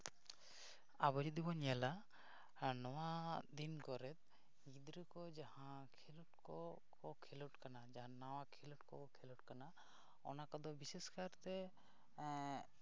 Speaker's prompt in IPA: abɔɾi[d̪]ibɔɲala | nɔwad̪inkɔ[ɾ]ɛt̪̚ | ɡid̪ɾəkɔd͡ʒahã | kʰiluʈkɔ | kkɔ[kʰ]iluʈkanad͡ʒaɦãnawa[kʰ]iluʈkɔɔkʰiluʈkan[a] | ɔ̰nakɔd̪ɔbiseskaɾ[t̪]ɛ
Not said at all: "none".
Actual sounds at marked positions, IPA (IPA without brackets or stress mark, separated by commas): d̪, ɾ, kʰ, kʰ, a, t̪